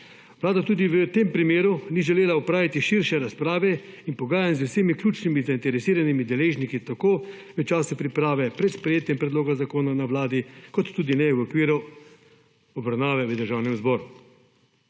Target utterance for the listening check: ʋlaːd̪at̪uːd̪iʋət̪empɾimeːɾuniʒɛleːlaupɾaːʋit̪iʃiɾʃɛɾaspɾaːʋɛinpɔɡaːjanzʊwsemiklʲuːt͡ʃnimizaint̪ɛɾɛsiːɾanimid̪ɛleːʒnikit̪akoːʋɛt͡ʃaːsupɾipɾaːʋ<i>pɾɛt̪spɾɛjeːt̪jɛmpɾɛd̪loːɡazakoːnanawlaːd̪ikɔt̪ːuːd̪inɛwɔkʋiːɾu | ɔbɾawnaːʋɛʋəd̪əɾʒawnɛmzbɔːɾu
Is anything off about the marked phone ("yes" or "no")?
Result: yes